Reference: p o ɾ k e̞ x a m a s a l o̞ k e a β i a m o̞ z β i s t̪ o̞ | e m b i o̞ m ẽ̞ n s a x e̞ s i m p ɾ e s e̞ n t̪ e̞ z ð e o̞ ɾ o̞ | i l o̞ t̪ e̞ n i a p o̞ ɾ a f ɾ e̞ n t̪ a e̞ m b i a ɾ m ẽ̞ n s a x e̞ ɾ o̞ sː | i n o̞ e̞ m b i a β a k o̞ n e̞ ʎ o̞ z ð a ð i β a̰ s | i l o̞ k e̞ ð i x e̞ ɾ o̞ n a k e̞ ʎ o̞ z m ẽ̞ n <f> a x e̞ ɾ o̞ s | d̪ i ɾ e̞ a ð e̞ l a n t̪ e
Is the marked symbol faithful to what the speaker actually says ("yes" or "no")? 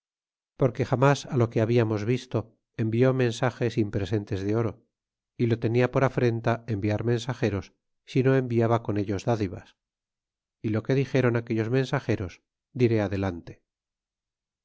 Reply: no